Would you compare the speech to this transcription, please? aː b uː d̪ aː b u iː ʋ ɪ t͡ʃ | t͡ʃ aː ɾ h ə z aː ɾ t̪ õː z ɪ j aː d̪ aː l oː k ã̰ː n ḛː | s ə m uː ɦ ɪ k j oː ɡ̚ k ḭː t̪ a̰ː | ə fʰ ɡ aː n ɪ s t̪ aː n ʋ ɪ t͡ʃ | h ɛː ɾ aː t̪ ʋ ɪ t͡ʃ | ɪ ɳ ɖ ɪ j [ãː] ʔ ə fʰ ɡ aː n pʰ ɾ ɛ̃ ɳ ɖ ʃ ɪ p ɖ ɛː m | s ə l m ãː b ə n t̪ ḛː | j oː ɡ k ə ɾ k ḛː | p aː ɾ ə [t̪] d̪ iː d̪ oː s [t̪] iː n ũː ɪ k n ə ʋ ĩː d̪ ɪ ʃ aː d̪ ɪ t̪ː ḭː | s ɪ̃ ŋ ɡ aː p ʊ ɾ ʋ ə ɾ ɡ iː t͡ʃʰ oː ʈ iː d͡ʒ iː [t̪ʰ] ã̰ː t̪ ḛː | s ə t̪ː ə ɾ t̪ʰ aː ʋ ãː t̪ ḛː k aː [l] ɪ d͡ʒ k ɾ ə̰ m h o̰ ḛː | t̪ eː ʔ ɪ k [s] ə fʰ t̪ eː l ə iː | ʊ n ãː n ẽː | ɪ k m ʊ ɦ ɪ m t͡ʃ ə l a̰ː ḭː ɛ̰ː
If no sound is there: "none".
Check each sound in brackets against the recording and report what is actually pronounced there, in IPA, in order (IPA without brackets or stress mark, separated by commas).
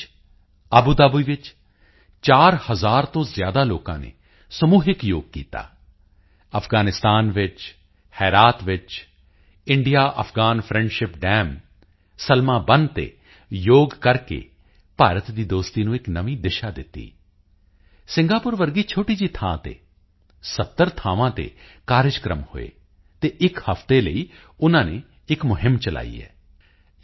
aː, t̪, t̪, t̪ʰ, ɾ, h